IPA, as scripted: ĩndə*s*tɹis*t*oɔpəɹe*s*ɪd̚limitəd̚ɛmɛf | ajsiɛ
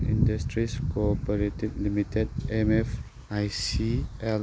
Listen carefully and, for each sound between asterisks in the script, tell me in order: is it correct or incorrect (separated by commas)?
correct, incorrect, incorrect